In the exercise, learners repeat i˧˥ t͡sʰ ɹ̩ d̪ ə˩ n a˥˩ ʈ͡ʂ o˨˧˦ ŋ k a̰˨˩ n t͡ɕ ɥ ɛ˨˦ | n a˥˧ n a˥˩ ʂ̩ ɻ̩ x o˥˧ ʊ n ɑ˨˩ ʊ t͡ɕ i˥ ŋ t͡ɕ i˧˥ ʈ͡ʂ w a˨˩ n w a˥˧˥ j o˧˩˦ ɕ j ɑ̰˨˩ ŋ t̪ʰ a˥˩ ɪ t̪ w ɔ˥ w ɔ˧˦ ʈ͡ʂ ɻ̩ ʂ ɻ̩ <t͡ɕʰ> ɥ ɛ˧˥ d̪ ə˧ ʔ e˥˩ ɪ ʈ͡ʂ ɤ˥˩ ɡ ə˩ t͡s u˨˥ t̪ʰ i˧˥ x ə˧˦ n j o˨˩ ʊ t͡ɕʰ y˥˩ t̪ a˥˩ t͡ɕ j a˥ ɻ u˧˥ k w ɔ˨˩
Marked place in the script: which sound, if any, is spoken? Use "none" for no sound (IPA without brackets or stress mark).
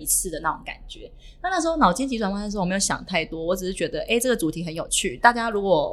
t͡ɕ